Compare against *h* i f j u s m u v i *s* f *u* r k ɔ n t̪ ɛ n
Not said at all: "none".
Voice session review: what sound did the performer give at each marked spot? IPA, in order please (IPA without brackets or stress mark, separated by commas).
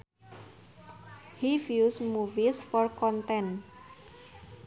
h, s, ɔ